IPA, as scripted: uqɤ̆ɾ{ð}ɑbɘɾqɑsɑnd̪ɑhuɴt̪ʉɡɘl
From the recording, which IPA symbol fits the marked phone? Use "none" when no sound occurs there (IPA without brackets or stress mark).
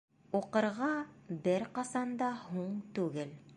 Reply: ʁ